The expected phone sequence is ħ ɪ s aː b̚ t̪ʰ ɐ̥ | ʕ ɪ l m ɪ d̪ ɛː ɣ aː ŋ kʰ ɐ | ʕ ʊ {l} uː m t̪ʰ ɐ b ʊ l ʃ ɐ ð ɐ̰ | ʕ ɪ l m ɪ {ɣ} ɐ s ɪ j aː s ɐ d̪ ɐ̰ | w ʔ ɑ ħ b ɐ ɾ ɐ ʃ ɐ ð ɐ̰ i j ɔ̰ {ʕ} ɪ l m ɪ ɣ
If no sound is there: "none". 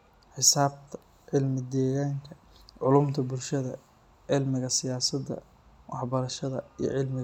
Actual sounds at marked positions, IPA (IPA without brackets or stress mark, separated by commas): l, ɣ, ʕ